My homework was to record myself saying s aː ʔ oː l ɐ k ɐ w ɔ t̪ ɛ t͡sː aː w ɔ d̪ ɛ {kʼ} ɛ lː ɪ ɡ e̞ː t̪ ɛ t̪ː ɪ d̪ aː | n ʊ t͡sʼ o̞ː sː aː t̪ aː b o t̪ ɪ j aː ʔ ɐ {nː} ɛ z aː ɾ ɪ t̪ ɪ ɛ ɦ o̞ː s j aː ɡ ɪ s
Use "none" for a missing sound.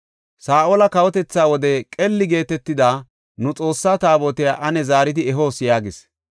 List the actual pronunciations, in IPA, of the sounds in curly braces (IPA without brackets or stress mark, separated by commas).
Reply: kʼ, n